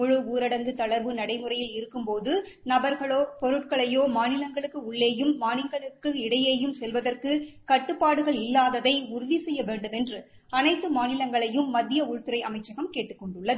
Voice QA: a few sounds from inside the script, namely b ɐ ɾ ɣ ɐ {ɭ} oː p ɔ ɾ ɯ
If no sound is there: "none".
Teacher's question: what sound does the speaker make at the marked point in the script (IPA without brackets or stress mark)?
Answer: ɭ